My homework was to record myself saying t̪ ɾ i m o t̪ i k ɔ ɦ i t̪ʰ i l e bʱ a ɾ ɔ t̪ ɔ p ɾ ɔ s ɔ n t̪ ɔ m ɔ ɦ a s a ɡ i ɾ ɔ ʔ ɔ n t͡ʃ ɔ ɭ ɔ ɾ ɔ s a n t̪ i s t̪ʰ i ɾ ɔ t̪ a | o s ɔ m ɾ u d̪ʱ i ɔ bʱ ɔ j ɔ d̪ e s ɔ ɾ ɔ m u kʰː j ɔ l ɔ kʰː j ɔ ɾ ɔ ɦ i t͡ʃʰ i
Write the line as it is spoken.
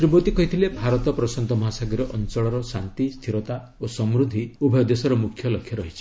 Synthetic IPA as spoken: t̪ ɾ i b o t̪ i k ɔ ɦ i t̪ʰ i l e bʱ a ɾ ɔ t̪ ɔ p ɾ ɔ s ɔ n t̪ ɔ m ɔ ɦ a s a ɡ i ɾ ɔ ʔ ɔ n t͡ʃ ɔ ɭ ɔ ɾ ɔ s a n t̪ i s t̪ʰ i ɾ ɔ t̪ a | o s ɔ m ɾ u d̪ʱ i u bʱ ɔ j ɔ d̪ e s ɔ ɾ ɔ m u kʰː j ɔ l ɔ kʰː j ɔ ɾ ɔ ɦ i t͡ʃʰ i